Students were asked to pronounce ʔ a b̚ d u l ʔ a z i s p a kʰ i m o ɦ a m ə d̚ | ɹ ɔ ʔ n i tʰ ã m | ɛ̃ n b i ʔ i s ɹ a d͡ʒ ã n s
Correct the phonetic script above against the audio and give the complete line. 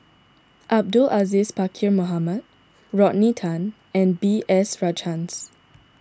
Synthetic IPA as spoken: ʔ a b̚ d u l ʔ a z i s p a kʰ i m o ɦ a m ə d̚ | ɹ ɔ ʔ n i tʰ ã n | ɛ̃ n b i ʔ ɛ s ɹ a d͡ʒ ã n s

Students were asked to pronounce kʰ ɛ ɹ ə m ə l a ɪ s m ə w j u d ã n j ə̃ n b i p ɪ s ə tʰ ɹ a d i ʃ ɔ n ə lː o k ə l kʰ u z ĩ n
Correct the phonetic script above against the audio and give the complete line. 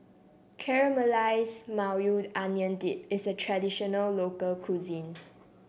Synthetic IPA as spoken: kʰ ɛ ɹ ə m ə l a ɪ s m a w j u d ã n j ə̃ n d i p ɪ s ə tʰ ɹ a d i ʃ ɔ n ə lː o k ə l kʰ u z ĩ n

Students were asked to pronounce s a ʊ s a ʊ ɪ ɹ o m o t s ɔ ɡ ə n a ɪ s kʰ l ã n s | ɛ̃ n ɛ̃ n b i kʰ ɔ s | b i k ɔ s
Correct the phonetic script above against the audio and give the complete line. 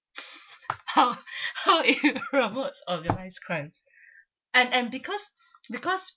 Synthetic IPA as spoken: h a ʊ h a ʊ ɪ ɹ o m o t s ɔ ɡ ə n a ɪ s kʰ ɹ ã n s | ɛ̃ n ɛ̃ n b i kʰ ɔ s | b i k ɔ s

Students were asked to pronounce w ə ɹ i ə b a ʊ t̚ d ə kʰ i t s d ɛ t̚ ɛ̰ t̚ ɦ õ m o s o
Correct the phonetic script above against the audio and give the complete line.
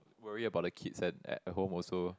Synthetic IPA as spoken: w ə ɹ i ə b a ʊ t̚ d ə kʰ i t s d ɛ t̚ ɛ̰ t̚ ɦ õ m ɔ s o

